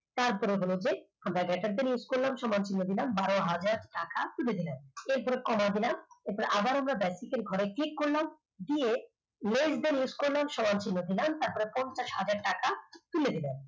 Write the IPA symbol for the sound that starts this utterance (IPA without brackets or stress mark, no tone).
t̪